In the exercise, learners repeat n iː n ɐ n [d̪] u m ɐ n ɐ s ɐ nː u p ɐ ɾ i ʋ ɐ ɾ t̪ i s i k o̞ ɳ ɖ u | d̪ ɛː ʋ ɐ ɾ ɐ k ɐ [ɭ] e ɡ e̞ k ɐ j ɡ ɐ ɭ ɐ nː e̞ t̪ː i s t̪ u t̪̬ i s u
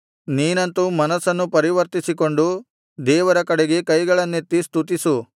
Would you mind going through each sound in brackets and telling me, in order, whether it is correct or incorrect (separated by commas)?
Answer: incorrect, incorrect